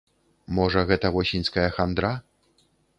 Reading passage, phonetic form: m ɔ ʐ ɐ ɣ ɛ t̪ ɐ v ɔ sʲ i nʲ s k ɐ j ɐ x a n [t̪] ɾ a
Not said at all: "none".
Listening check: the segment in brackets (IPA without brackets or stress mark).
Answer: d̪